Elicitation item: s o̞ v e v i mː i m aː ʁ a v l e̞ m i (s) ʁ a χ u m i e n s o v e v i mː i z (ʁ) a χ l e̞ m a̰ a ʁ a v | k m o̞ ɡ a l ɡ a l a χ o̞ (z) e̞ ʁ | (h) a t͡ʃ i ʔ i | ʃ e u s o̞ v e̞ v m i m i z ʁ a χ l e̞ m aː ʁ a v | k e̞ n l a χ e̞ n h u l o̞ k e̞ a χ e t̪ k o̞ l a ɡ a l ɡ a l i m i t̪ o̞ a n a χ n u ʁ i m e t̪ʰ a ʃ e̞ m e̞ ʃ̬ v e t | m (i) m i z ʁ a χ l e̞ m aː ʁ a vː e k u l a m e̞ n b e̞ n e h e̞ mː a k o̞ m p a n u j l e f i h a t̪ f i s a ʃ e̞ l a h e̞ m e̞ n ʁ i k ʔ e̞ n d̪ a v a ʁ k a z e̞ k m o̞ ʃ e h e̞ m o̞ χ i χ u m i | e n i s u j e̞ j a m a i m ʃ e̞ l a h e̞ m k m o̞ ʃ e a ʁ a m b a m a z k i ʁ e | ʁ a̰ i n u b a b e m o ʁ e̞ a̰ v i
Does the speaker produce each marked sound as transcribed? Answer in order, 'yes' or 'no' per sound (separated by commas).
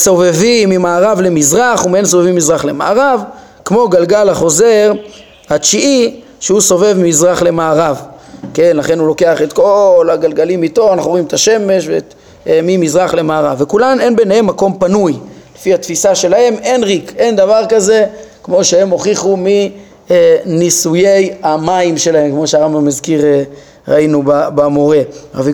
no, yes, yes, yes, yes